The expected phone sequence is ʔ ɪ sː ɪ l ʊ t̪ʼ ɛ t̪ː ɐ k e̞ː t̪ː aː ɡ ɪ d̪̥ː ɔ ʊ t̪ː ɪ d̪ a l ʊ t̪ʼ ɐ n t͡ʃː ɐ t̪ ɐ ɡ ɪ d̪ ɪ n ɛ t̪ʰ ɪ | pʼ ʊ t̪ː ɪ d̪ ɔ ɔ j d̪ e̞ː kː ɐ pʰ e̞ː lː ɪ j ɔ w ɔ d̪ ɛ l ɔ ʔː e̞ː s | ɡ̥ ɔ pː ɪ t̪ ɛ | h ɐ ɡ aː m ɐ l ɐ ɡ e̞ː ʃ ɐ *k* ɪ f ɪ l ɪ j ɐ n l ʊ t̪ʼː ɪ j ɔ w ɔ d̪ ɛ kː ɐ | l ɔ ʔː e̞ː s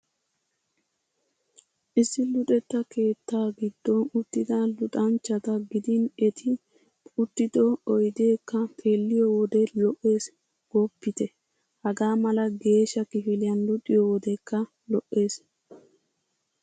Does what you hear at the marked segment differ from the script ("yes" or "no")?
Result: no